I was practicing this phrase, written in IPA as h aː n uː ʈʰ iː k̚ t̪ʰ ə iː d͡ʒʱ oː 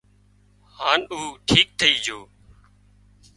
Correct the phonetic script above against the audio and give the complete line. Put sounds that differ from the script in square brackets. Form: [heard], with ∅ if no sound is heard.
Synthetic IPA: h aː n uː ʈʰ iː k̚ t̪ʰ ə iː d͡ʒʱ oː